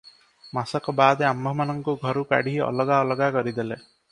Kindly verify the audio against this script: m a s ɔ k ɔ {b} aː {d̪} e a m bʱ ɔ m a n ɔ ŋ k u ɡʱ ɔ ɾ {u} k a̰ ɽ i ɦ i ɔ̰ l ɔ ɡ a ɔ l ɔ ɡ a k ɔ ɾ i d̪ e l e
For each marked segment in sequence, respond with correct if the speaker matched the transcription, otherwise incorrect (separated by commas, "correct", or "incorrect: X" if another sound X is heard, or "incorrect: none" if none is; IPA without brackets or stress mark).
correct, correct, correct